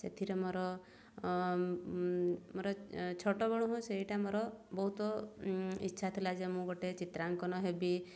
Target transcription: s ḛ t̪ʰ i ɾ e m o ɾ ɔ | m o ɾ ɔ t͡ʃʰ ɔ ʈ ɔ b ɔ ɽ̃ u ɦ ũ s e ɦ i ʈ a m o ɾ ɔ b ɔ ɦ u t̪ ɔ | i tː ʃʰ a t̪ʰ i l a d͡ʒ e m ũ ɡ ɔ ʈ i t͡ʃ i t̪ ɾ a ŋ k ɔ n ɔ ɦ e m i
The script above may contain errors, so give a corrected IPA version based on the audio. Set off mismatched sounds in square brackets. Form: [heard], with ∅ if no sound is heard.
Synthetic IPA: s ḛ t̪ʰ i ɾ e m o ɾ ɔ | m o ɾ ɔ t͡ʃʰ ɔ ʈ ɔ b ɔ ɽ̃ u ɦ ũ s e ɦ i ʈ a m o ɾ ɔ b ɔ ɦ u t̪ ɔ | i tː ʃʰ a t̪ʰ i l a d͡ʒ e m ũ ɡ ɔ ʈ [e] t͡ʃ i t̪ ɾ a ŋ k ɔ n ɔ ɦ e [b] i